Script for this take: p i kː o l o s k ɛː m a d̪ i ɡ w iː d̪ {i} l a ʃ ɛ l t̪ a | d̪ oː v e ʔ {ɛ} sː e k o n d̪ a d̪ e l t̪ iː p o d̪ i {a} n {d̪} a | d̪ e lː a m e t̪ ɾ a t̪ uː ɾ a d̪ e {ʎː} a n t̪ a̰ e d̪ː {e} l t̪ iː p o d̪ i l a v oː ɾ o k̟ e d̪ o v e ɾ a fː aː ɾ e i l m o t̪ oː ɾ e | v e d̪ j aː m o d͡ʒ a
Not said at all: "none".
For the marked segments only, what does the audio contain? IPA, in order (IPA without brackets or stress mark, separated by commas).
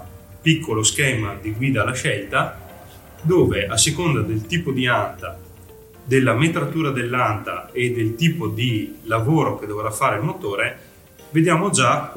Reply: a, a, a, t̪, lː, e